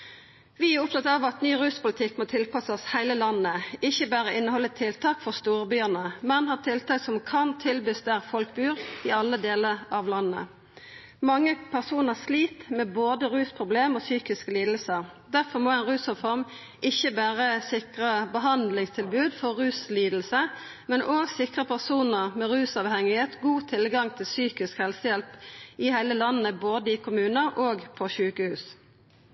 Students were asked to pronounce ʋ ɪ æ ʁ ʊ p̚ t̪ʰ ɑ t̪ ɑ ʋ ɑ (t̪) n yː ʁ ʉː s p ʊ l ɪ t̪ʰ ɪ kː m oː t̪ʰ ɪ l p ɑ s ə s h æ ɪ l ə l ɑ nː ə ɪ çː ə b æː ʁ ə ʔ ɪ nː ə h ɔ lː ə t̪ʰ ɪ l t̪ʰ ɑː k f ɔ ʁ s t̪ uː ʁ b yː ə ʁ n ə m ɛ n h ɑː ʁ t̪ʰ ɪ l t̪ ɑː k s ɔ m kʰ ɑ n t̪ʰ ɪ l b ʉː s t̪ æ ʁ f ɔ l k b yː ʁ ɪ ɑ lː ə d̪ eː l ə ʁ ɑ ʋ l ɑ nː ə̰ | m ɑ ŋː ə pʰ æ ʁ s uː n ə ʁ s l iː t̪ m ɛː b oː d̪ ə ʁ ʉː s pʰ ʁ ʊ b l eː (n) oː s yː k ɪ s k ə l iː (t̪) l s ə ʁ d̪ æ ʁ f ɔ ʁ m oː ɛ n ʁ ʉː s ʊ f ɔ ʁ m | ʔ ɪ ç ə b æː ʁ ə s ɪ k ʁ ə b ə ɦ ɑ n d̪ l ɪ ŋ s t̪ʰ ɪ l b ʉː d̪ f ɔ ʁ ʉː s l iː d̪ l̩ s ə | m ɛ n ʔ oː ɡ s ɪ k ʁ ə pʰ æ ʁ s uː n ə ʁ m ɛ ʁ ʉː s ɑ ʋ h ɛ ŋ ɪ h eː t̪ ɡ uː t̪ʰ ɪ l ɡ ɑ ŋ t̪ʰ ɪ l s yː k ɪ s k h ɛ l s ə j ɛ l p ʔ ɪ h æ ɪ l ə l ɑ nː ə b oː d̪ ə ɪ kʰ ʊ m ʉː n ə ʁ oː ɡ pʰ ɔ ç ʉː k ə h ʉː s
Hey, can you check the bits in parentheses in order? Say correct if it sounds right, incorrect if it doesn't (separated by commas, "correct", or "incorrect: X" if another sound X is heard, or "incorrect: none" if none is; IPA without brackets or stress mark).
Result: correct, incorrect: m, incorrect: d̪